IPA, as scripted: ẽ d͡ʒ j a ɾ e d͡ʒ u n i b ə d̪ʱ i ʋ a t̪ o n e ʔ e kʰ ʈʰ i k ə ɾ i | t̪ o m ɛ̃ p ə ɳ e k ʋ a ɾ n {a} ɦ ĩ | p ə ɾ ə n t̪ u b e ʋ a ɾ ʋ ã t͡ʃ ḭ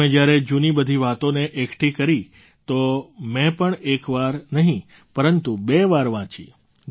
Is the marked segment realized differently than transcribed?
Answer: yes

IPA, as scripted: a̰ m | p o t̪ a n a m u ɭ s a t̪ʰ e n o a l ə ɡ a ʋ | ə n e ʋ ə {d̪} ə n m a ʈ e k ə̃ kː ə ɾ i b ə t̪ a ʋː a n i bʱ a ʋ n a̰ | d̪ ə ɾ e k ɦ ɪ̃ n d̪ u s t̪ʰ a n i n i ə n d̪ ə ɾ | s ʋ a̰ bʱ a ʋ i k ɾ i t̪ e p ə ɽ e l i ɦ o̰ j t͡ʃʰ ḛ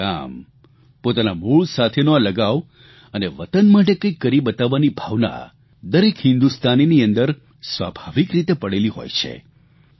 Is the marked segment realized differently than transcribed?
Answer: yes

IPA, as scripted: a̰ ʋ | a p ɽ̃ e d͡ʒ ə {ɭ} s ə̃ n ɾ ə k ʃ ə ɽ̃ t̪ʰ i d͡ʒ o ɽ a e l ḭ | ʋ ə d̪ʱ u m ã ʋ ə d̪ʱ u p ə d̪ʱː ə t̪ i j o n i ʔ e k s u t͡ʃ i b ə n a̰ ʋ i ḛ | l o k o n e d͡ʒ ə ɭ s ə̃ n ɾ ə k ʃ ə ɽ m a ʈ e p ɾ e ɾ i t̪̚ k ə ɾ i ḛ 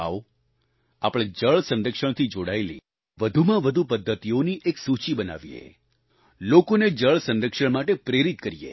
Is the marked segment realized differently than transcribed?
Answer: no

